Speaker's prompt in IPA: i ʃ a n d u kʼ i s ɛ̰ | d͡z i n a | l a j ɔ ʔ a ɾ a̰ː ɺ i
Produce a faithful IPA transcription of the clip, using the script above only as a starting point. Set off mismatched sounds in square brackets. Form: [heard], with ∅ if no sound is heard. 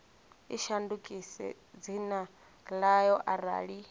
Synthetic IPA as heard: i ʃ a n d u kʼ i s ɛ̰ | d͡z i n a | l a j ɔ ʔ a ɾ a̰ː ɺ i